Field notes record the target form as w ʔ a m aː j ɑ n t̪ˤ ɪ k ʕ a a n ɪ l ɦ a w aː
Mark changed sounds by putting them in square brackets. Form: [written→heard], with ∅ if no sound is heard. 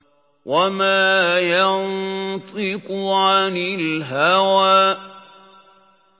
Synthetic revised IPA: w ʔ a m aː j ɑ n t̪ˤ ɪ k ʕ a a n ɪ l ɦ a w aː